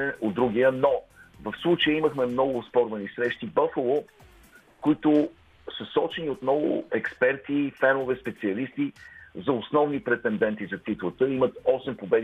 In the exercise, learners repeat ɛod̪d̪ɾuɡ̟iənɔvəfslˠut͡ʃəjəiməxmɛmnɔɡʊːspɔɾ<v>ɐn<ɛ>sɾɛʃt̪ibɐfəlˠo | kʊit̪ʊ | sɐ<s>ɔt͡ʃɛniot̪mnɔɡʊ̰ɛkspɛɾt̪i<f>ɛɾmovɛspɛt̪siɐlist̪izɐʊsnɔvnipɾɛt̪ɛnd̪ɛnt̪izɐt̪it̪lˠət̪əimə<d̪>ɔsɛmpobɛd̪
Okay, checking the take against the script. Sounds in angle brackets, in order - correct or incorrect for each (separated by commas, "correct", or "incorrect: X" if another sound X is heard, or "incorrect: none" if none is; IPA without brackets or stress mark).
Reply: correct, incorrect: i, correct, correct, incorrect: t̪